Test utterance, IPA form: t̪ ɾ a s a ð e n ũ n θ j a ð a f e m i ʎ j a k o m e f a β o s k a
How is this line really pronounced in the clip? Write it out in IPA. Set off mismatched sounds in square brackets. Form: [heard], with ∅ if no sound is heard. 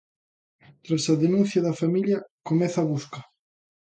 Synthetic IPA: t̪ ɾ a s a ð e n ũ n θ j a ð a f [a] m i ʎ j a k o m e [θ] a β [u] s k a

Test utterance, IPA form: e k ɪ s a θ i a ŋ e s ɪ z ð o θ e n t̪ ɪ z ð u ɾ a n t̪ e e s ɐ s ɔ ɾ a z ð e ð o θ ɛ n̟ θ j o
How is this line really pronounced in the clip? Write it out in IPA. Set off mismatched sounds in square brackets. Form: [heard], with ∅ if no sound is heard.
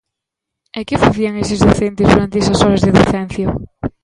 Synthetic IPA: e k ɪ [f] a θ i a ŋ e s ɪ z ð o θ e n t̪ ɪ z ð u ɾ a n t̪ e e s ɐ s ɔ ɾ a z ð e ð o θ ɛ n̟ θ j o

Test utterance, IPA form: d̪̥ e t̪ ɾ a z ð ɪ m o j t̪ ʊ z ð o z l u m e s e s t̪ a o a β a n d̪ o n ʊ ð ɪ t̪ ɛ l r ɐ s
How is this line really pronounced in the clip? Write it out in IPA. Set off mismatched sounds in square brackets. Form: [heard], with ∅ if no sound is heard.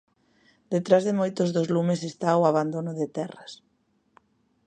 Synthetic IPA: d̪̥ e t̪ ɾ a z ð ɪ m o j t̪ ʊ z ð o z l u m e s e s t̪ a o a β a n d̪ o n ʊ ð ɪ t̪ ɛ [∅] r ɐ s

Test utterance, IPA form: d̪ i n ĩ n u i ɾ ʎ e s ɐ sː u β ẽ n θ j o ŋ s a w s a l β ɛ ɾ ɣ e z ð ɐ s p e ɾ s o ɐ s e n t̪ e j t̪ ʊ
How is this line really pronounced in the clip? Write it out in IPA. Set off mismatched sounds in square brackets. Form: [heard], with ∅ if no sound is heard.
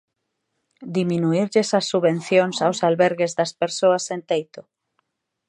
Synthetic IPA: d̪ i [m] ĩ n u i ɾ ʎ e s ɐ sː u β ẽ n θ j o ŋ s a w s a l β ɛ ɾ ɣ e z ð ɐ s p e ɾ s o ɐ s e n t̪ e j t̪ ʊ

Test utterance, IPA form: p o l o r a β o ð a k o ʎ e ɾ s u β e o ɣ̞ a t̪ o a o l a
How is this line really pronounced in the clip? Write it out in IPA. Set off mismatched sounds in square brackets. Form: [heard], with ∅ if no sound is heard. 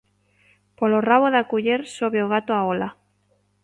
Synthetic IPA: p o l o r a β o ð a k [u] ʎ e ɾ s [o] β e o ɣ̞ a t̪ o a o l a

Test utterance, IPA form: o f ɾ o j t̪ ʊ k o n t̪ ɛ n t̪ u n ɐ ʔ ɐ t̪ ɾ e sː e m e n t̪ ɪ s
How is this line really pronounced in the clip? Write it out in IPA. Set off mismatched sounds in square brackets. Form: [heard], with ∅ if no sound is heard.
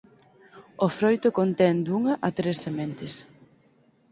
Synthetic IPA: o f ɾ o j t̪ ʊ k o n t̪ ɛ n [d̪] u [ŋ] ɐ ʔ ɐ t̪ ɾ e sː e m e n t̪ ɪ s

